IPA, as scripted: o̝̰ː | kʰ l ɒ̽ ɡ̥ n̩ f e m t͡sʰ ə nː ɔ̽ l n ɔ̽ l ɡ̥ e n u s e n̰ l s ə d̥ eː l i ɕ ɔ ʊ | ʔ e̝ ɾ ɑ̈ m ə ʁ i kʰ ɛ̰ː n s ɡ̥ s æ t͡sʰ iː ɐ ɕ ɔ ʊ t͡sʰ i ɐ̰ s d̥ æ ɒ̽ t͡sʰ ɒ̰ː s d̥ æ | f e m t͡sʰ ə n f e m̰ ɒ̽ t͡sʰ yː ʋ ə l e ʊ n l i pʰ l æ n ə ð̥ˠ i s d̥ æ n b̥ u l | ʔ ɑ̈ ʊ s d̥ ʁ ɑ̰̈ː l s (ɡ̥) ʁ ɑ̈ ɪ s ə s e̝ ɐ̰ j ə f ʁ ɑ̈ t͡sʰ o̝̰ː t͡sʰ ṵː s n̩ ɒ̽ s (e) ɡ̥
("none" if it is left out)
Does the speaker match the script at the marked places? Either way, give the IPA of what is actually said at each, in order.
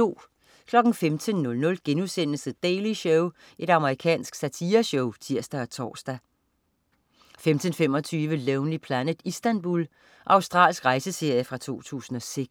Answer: ɡ̥, e

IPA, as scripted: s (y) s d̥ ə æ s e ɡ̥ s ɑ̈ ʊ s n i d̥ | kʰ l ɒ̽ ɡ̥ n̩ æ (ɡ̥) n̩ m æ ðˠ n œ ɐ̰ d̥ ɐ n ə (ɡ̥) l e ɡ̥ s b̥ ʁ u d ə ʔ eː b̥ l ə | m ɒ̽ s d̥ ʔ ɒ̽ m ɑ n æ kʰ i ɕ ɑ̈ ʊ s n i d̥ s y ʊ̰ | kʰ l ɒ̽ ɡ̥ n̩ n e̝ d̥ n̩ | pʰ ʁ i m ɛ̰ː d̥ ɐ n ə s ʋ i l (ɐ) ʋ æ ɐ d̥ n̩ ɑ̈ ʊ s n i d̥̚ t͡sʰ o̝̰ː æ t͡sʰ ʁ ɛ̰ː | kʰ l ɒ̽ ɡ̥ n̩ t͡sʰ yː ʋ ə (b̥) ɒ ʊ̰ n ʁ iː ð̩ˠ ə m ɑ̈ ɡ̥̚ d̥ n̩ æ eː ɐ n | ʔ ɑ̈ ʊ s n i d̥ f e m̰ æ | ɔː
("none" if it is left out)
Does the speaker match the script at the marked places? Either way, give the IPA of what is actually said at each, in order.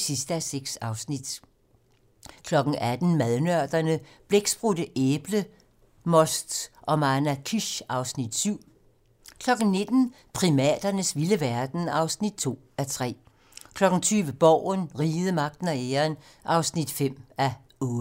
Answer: i, d̥, b̥, ə, b̥

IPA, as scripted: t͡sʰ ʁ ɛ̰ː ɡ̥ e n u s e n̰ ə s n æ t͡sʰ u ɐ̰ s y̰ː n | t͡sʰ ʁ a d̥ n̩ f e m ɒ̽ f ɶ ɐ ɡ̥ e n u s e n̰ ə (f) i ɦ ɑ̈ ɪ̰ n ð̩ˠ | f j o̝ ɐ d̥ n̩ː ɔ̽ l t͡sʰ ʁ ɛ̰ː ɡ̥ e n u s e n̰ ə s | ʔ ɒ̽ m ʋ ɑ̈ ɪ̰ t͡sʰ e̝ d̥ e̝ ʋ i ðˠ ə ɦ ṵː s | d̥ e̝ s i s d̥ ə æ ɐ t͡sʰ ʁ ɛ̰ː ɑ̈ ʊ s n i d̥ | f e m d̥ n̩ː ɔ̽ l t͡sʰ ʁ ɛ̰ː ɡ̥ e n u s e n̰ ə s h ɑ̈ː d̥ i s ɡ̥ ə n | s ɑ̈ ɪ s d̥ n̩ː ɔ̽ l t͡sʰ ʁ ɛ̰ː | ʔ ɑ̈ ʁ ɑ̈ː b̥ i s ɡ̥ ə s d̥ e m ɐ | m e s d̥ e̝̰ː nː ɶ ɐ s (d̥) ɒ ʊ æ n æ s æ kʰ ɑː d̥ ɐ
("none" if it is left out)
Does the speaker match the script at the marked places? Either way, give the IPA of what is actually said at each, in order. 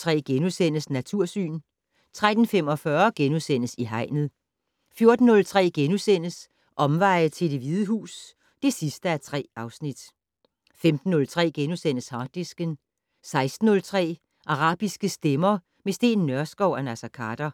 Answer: s, ɡ̥

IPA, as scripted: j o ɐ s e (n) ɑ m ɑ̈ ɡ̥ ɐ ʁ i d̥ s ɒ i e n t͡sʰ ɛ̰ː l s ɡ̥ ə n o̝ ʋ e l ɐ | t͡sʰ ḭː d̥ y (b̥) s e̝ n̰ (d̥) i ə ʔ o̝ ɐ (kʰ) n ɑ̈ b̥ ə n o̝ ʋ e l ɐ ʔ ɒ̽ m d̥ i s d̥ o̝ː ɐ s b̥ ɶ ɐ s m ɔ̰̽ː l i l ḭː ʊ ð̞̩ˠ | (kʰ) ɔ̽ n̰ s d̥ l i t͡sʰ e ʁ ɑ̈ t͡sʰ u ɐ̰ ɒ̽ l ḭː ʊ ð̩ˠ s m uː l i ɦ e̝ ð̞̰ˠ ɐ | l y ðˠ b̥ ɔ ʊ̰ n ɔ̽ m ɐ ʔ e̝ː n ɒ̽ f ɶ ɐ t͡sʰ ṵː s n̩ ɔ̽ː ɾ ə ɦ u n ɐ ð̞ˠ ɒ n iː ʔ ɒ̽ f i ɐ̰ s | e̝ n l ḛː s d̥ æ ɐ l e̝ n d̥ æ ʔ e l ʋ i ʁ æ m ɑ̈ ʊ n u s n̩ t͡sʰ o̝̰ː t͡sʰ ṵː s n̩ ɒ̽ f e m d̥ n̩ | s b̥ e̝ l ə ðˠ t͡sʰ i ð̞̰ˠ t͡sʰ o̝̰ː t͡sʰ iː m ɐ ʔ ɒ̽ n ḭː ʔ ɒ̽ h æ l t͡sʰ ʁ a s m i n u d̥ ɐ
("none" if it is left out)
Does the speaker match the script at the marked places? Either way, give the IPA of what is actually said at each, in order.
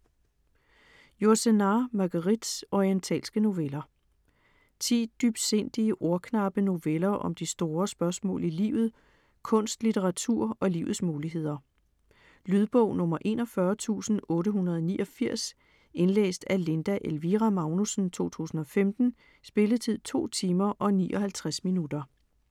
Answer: n, b̥, d̥, kʰ, kʰ

